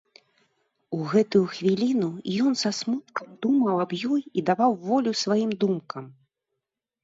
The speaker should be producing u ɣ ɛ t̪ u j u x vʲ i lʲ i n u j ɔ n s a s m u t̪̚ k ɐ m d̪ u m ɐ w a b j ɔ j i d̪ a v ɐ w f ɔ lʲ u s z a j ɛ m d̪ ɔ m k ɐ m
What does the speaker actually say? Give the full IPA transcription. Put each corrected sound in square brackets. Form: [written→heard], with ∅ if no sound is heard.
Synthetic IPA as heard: u ɣ ɛ t̪ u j u x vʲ i lʲ i n u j ɔ n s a s m u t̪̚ k ɐ m d̪ u m ɐ w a b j ɔ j i d̪ a v [ɐ→a] w [f→v] ɔ lʲ u s [z→v] a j [ɛ→i] m d̪ [ɔ→u] m k ɐ m